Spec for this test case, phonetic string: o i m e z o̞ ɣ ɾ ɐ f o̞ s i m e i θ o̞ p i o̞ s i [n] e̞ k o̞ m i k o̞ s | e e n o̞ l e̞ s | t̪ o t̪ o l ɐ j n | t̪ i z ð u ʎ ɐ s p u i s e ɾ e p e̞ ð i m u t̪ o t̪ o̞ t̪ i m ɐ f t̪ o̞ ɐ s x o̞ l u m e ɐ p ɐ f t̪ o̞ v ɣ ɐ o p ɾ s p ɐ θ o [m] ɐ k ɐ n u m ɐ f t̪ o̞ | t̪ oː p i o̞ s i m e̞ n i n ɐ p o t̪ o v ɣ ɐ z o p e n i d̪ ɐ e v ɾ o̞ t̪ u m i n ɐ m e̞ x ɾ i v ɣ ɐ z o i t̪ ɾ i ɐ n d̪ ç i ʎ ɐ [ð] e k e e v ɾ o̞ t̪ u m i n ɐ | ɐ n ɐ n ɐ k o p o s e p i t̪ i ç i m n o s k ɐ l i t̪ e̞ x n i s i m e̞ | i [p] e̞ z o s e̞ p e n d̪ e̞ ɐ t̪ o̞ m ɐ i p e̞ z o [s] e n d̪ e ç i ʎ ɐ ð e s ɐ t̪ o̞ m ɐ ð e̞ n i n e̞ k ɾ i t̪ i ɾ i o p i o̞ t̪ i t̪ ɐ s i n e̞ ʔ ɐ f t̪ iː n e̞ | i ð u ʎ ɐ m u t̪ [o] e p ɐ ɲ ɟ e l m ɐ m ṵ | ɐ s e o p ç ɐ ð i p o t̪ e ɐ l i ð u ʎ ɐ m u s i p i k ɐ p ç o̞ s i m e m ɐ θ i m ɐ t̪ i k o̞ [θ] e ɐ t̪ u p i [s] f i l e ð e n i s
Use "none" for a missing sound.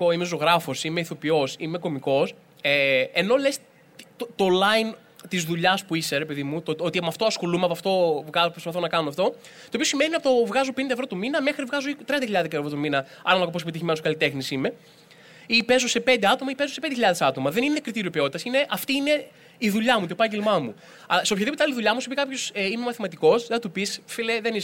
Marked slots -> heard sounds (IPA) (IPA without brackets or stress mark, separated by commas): m, n, ð, p, s, o, s, s